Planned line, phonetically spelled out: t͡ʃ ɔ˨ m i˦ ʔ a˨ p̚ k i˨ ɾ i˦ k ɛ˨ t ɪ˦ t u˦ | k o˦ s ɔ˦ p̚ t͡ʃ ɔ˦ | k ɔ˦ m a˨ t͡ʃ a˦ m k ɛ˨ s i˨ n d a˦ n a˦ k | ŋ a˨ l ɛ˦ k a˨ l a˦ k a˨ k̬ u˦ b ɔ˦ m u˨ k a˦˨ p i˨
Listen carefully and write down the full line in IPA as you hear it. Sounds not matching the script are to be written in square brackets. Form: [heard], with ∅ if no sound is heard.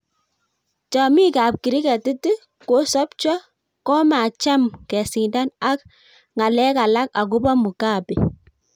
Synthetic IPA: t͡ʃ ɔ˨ m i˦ [k] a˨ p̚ k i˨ ɾ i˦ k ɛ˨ t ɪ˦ t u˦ | k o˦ s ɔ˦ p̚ t͡ʃ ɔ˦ | k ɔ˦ m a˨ t͡ʃ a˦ m k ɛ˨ s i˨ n d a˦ n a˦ k | ŋ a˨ l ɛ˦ k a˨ l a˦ k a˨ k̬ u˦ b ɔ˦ m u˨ k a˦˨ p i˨